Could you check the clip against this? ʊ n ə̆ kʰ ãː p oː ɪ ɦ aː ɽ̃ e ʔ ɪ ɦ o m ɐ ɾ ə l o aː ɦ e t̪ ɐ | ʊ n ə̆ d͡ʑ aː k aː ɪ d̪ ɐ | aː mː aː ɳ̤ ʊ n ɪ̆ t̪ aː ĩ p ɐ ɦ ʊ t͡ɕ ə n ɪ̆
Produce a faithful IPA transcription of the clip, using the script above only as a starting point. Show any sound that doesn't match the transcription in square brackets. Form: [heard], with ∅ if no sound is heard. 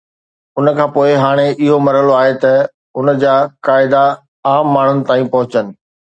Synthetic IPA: ʊ n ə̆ kʰ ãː p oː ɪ ɦ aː ɽ̃ e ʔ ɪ ɦ o m ɐ ɾ ə l o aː ɦ e t̪ ɐ | ʊ n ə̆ d͡ʑ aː k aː ɪ d̪ [a] | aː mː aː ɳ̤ ʊ n ɪ̆ t̪ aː ĩ p ɐ ɦ ʊ t͡ɕ ə n ɪ̆

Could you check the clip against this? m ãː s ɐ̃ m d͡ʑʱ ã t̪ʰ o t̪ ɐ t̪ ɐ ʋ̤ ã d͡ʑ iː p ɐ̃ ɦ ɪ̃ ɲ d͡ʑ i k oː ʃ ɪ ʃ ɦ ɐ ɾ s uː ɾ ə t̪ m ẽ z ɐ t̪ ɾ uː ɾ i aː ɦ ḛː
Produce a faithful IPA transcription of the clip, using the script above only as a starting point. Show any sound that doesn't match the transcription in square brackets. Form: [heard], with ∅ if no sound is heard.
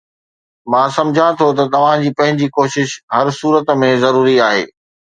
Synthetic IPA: m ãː s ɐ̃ m d͡ʑʱ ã t̪ʰ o t̪ ɐ t̪ ɐ ʋ̤ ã d͡ʑ iː p ɐ̃ ɦ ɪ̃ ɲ d͡ʑ i k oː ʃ ɪ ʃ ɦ ɐ ɾ s uː ɾ ə t̪ m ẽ z ɐ [∅] ɾ uː ɾ i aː ɦ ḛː

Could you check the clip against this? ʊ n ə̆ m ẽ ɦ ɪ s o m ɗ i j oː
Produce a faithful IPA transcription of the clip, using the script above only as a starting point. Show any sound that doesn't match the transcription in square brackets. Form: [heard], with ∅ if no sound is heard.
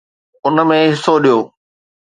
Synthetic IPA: ʊ n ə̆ m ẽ ɦ ɪ s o [∅] ɗ i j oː

